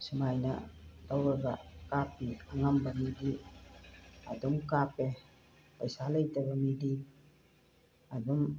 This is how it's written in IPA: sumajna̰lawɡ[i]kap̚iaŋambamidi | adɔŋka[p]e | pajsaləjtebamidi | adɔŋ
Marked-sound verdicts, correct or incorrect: incorrect, correct

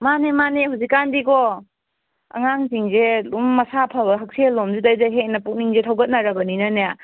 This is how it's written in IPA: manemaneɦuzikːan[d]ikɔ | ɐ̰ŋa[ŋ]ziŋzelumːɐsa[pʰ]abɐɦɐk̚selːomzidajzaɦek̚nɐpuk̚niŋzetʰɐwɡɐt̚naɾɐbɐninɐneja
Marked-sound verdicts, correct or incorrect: correct, correct, correct

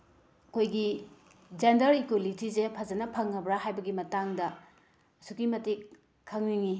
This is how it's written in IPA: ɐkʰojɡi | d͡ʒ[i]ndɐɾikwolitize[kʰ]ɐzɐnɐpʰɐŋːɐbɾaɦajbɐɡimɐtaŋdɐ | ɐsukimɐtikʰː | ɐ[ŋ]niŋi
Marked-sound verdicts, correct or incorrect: incorrect, incorrect, correct

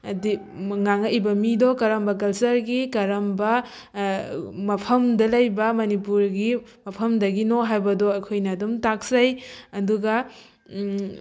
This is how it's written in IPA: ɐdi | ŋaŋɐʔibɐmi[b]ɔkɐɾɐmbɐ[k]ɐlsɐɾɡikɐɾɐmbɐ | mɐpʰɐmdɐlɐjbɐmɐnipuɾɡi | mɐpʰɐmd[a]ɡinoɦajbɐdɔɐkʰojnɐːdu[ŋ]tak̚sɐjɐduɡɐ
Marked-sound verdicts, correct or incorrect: incorrect, correct, incorrect, incorrect

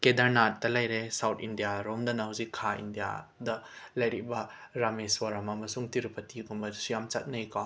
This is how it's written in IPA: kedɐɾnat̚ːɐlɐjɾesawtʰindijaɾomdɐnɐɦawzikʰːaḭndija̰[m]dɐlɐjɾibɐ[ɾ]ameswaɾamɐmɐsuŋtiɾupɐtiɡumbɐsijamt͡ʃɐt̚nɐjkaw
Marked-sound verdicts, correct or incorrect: incorrect, correct

